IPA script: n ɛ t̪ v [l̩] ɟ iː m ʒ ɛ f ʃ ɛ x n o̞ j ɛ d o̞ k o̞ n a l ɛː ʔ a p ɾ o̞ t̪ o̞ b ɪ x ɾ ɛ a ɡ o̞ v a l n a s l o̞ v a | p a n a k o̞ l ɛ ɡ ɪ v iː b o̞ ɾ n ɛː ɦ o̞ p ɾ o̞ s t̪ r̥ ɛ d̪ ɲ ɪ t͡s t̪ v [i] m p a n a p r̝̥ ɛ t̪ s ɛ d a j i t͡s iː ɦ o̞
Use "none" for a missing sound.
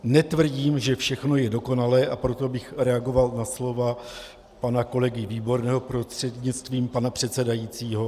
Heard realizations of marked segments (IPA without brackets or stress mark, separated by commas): r̩, iː